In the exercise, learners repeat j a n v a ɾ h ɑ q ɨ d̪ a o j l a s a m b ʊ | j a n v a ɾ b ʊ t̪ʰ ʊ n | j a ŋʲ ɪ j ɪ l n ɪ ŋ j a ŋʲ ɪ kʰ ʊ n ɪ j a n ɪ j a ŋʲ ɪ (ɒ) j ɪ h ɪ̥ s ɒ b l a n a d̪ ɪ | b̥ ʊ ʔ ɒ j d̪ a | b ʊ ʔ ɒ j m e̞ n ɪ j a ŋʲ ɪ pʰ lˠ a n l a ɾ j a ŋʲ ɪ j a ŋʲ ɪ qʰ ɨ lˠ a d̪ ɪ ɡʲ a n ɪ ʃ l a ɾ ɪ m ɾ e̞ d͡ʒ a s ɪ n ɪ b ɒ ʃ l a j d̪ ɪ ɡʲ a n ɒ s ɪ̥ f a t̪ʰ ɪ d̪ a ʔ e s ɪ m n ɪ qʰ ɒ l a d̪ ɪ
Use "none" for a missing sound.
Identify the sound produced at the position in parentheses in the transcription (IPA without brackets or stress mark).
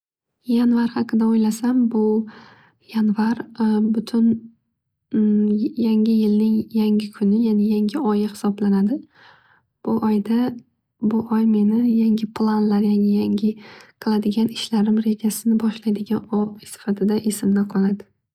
ɒ